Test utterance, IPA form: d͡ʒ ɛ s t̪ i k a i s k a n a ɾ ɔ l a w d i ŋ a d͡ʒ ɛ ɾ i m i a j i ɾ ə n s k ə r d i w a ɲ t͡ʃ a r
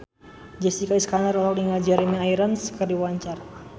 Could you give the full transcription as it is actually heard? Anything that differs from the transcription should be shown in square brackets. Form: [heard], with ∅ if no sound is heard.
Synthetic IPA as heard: d͡ʒ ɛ s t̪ i k a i s k a n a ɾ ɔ l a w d i ŋ a d͡ʒ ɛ ɾ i m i a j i ɾ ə n s k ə r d i w a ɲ t͡ʃ a r